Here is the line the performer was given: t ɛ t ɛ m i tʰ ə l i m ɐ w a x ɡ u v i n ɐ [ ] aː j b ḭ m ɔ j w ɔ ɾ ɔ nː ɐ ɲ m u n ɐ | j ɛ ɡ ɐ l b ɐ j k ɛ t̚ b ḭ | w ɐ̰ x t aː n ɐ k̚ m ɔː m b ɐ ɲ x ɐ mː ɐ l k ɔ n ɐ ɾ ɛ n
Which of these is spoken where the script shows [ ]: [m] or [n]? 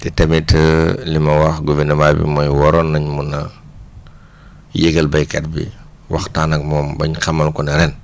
m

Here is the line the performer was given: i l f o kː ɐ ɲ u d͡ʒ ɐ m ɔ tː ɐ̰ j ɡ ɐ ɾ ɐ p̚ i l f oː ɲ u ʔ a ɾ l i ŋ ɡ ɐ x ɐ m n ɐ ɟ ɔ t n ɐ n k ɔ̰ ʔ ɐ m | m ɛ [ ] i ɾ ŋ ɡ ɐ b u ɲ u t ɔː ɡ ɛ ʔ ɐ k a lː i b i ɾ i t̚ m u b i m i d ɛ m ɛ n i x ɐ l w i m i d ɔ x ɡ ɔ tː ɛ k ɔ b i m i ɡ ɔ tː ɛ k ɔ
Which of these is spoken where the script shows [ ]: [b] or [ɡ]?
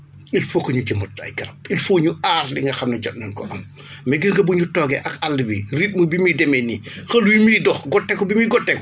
ɡ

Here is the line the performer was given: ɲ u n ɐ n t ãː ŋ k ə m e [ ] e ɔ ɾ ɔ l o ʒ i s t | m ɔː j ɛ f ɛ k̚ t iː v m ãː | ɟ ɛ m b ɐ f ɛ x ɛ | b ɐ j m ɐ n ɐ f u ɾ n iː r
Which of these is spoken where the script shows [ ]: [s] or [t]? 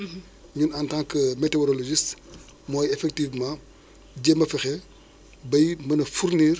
t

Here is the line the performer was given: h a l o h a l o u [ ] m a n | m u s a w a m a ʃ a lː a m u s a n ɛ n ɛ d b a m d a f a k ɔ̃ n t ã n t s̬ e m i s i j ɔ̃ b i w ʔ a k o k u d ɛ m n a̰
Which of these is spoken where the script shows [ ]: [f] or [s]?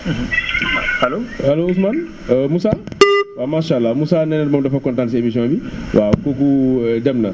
s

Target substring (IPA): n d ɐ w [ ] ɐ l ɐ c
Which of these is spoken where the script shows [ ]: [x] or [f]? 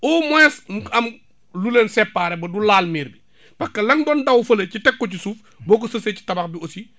f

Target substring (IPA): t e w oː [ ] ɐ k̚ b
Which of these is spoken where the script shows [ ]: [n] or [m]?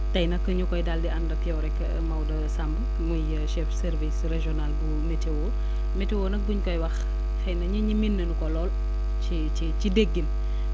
n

